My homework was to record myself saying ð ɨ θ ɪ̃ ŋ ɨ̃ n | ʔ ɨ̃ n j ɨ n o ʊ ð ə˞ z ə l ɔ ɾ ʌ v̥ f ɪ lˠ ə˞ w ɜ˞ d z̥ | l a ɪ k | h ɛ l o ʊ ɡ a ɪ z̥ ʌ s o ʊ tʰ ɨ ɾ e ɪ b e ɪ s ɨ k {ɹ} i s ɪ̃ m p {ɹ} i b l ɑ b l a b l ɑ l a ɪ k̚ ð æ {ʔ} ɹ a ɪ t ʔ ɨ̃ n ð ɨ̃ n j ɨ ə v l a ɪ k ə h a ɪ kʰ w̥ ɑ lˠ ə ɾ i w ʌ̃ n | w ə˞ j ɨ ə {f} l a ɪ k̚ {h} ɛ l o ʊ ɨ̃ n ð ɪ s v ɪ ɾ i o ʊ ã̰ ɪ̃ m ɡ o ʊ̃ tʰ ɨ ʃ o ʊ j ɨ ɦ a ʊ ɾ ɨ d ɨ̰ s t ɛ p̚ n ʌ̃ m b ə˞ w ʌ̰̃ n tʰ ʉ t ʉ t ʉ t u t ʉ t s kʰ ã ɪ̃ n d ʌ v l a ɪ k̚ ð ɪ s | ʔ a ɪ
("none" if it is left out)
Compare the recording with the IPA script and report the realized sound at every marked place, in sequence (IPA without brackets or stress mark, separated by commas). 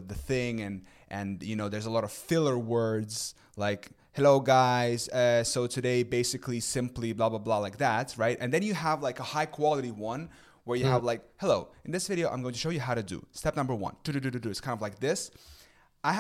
l, l, t, v, h